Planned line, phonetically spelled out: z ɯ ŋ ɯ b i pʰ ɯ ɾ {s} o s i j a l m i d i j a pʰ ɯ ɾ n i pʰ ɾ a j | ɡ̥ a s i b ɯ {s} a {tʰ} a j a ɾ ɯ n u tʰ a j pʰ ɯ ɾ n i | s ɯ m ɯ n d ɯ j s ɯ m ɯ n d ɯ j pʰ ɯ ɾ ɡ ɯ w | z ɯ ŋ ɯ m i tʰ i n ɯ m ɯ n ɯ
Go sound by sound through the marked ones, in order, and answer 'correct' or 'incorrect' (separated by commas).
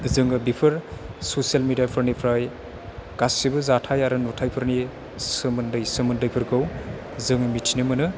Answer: correct, incorrect, correct